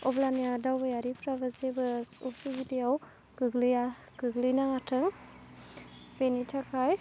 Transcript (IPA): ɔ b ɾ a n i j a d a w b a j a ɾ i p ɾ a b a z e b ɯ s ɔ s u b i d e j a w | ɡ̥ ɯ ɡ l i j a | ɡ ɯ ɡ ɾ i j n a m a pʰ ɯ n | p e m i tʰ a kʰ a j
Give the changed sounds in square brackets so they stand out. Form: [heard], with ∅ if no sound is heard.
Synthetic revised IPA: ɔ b [l] a n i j a d a w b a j a ɾ i p ɾ a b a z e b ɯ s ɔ s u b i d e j a w | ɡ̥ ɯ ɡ l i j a | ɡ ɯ ɡ [l] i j n a [ŋ] a [tʰ] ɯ [ŋ] | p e [n] i tʰ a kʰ a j